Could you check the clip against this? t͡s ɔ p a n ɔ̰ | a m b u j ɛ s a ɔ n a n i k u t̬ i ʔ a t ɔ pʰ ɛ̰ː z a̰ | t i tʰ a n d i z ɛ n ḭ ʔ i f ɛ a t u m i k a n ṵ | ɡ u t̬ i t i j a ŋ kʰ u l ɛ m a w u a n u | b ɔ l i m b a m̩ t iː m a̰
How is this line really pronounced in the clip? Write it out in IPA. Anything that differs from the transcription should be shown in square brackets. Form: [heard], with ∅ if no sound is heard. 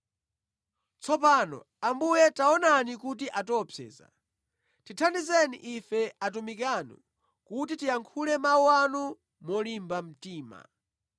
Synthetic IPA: t͡s ɔ p a n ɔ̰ | a m b u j ɛ [t] a ɔ n a n i k u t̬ i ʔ a t ɔ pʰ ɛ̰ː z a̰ | t i tʰ a n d i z ɛ n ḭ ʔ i f ɛ a t u m i k a n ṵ | [k] u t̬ i t i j a ŋ kʰ u l ɛ m a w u a n u | [m] ɔ l i m b a m̩ t iː m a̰